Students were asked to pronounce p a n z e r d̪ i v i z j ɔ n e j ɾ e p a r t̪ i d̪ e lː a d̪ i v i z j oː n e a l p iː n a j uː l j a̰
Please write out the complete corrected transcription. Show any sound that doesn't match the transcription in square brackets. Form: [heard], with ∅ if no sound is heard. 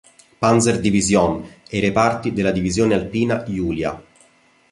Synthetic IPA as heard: p a n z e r d̪ i v i z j ɔ n e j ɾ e p a r t̪ i d̪ e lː a d̪ i v i z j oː n e a l p iː n a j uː l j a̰